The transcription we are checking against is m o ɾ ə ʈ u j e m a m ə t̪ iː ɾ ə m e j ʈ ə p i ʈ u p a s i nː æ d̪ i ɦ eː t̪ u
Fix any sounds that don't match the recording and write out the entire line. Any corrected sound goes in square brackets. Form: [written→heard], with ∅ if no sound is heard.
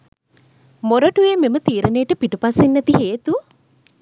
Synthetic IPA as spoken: m o ɾ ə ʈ u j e m [a→e] m ə t̪ iː ɾ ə [m→n] e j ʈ ə p i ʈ u p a s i nː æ [d̪→t̪] i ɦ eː t̪ u

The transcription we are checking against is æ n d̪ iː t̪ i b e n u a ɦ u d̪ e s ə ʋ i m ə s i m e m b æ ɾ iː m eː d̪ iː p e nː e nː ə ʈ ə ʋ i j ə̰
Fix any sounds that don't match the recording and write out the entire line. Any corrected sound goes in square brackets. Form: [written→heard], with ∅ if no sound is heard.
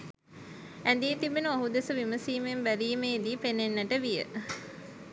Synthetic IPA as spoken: æ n d̪ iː t̪ i b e n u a ɦ u d̪ e s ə ʋ i m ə s [i→iː] m e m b æ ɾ iː m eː d̪ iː p e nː e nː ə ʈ ə ʋ i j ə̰

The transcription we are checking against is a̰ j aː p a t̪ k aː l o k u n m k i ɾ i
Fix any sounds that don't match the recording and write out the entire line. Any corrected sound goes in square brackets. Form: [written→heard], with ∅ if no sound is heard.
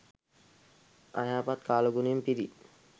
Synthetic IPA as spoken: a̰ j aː p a t̪ k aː l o [k→ɡ] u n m [k→p] i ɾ i

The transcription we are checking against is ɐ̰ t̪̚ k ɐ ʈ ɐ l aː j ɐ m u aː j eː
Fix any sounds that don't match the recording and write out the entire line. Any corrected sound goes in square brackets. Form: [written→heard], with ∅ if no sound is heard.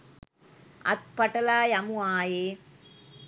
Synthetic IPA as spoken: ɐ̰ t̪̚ [k→p] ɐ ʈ ɐ l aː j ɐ m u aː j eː

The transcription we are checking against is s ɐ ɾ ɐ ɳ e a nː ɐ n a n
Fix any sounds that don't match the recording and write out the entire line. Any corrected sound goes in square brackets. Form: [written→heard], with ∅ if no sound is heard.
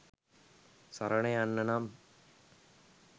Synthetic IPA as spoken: s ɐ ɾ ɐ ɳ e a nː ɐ n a [n→m]

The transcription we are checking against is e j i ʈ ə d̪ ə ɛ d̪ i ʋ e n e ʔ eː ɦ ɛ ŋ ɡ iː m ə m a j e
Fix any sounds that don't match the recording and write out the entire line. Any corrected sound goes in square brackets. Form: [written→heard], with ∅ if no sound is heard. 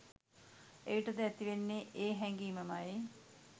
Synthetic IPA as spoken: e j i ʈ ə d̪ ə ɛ [d̪→t̪] i ʋ e [n→nː] e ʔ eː ɦ ɛ ŋ ɡ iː m ə m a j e

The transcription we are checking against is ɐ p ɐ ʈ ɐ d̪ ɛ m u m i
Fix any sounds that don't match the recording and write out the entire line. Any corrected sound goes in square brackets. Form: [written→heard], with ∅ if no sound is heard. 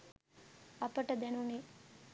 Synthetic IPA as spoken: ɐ p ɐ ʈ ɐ d̪ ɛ [m→n] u [m→n] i

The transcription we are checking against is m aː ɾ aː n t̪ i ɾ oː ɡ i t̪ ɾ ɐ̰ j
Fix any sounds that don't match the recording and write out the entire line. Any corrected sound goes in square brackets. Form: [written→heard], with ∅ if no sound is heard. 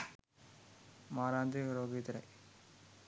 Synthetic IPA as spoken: m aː ɾ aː n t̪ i ɾ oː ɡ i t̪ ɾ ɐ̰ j

